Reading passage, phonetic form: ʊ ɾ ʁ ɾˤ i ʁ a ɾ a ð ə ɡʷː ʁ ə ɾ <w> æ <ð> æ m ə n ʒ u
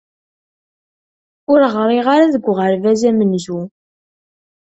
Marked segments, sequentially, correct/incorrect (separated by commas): incorrect, incorrect